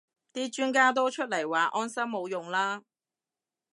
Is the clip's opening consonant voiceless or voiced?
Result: voiceless